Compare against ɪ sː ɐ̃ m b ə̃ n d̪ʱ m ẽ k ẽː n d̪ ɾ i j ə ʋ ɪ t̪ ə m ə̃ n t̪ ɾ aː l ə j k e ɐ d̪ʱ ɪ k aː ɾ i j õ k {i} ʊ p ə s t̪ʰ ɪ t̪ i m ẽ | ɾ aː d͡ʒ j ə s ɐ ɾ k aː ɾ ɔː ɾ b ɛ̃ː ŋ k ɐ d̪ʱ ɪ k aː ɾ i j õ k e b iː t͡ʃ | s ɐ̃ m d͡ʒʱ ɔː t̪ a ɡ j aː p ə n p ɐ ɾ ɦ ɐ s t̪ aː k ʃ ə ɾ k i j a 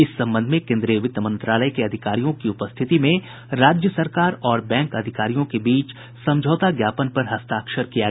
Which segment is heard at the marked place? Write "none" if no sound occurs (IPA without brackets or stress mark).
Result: i